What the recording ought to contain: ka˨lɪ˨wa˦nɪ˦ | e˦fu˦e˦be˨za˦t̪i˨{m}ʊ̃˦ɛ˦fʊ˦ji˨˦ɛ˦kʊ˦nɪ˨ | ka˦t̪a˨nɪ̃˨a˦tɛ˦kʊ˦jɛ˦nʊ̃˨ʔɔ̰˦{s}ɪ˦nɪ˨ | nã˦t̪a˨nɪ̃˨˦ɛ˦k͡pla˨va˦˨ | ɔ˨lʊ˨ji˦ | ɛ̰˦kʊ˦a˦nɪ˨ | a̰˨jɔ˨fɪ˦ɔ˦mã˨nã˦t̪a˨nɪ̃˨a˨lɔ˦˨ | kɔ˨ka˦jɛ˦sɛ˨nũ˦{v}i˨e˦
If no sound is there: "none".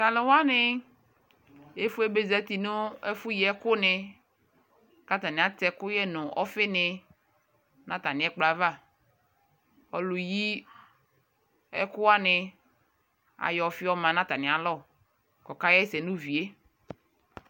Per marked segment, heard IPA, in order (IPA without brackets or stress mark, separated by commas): n, f, v